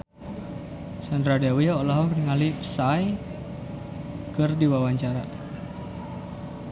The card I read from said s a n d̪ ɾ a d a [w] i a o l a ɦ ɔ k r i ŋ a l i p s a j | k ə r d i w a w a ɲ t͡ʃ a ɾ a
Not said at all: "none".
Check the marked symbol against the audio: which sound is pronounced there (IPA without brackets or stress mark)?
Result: w